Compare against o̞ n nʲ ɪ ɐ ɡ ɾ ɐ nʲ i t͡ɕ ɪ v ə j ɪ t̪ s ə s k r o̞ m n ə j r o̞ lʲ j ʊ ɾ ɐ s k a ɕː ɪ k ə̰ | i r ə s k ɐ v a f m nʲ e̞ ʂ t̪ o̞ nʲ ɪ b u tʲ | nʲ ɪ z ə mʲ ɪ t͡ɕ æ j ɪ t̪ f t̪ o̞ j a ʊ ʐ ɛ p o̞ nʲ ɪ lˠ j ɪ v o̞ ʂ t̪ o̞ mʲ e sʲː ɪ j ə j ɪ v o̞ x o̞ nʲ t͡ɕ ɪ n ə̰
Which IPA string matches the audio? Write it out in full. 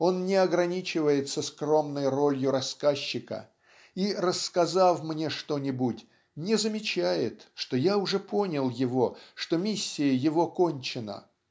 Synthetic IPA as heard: o̞ n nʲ ɪ ɐ ɡ ɾ ɐ nʲ i t͡ɕ ɪ v ə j ɪ t̪ s ə s k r o̞ m n ə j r o̞ lʲ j ʊ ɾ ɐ s k a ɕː ɪ k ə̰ | i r ə s k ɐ z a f m nʲ e̞ ʂ t̪ o̞ nʲ ɪ b u tʲ | nʲ ɪ z ə mʲ ɪ t͡ɕ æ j ɪ t̪ ʂ t̪ o̞ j a ʊ ʐ ɛ p o̞ nʲ ɪ lˠ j ɪ v o̞ ʂ t̪ o̞ mʲ i sʲː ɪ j ə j ɪ v o̞ k o̞ nʲ t͡ɕ ɪ n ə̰